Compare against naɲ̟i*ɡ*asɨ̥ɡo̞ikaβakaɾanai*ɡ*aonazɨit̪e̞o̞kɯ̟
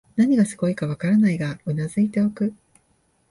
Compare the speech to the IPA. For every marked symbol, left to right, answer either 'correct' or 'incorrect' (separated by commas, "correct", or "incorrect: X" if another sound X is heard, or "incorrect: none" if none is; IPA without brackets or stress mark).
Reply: correct, correct